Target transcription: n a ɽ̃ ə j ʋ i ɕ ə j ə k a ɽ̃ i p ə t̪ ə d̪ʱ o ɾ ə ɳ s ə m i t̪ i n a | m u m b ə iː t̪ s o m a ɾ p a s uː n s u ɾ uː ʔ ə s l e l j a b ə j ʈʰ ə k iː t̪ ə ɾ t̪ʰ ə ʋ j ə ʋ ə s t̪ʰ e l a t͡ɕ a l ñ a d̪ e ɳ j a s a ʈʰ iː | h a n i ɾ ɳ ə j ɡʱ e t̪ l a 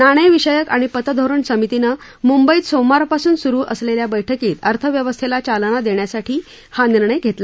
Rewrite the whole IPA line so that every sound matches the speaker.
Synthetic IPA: n a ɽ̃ ə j ʋ i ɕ ə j ə k a ɽ̃ i p ə t̪ ə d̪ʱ o ɾ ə ɳ s ə m i t̪ i n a | m u m b ə iː t̪ s o m a ɾ p a s uː n s u ɾ uː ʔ ə s l e l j a b ə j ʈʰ ə k iː t̪ ə ɾ t̪ʰ ə ʋ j ə ʋ ə s t̪ʰ e l a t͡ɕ a l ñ a d̪ e ɳ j a s a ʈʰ iː | h a n i ɾ ɳ ə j ɡʱ e t̪ l a

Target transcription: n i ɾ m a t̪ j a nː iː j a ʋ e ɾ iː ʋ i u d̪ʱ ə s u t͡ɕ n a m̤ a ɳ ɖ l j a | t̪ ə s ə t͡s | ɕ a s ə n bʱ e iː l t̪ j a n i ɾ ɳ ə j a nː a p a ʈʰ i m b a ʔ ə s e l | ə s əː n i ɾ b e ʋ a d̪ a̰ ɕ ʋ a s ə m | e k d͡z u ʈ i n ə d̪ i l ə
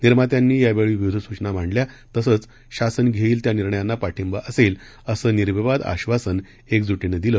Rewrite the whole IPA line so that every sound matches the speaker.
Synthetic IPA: n i ɾ m a t̪ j a nː iː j a ʋ e ɭ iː ʋ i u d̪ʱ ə s u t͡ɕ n a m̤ a ɳ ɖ l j a | t̪ ə s ə t͡s | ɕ a s ə n ɡʱ e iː l t̪ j a n i ɾ ɳ ə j a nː a p a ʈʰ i m b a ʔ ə s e l | ə s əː n i ɾ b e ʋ a d̪ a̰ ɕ ʋ a s ə n | e k d͡z u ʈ i n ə d̪ i l ə

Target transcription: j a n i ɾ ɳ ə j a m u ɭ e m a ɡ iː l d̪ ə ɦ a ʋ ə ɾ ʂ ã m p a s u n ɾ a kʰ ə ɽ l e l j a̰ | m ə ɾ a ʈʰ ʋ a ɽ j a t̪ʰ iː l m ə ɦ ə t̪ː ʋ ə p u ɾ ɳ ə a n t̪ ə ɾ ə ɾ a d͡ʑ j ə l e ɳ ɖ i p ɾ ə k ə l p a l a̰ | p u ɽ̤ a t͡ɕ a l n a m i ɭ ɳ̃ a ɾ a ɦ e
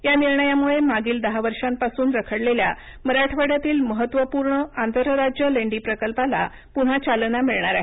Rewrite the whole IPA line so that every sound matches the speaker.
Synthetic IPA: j a n i ɾ ɳ ə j a m u ɭ e m a ɡ iː l d̪ ə ɦ a ʋ ə ɾ ʂ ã m p a s uː n ɾ ə kʰ ə ɽ l e l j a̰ | m ə ɾ a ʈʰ ʋ a ɽ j a t̪ iː l m ə ɦ ə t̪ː ʋ ə p u ɾ ɳ ə a n t̪ ə ɾ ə ɾ a d͡ʑ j ə l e ɳ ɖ i p ɾ ə k ə l p a l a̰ | p u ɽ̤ a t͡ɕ a l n a m i ɭ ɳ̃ a ɾ a ɦ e

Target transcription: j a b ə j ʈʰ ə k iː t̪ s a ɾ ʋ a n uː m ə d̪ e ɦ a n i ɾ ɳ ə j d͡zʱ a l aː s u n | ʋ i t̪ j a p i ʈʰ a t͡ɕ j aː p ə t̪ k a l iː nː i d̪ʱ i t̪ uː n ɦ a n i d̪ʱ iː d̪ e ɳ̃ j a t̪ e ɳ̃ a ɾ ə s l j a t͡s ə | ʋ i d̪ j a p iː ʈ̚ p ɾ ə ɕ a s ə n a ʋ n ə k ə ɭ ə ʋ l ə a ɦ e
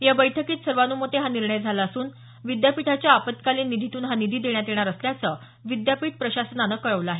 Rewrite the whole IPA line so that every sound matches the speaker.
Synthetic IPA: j a b ə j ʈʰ ə k iː t̪ s ə ɾ ʋ a n uː m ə t̪ e ɦ a n i ɾ ɳ ə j d͡zʱ a l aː s uː n | ʋ i d̪ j a p i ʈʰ a t͡ɕ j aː p ə t̪ k a l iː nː i d̪ʱ i t̪ uː n ɦ a n i d̪ʱ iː d̪ e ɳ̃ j a t̪ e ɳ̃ a ɾ ə s l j a t͡s ə | ʋ i d̪ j a p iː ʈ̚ p ɾ ə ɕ a s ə n a n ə k ə ɭ ə ʋ l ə a ɦ e

